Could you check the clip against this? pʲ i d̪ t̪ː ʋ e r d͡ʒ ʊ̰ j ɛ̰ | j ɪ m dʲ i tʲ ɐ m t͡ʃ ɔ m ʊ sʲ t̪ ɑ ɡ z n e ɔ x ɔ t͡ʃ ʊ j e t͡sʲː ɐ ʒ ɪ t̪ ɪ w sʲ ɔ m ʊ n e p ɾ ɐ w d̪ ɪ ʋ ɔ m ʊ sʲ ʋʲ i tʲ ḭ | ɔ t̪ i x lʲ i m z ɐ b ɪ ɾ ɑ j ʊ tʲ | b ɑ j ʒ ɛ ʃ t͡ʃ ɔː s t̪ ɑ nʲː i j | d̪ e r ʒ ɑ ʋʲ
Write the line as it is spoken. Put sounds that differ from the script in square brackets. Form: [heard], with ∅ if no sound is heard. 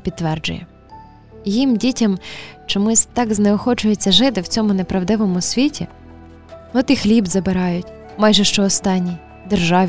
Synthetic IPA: pʲ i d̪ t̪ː ʋ [ɛ] r d͡ʒ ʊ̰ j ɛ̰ | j [i] m dʲ i tʲ ɐ m t͡ʃ ɔ m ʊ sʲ t̪ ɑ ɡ z n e ɔ x ɔ t͡ʃ ʊ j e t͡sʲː ɐ ʒ ɪ t̪ ɪ w [t͡sʲ] ɔ m ʊ n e p ɾ ɐ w d̪ ɪ ʋ ɔ m ʊ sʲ ʋʲ i tʲ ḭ | ɔ t̪ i x lʲ i [b] z ɐ b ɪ ɾ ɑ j ʊ tʲ | [m] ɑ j ʒ ɛ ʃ t͡ʃ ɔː s t̪ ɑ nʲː i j | d̪ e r ʒ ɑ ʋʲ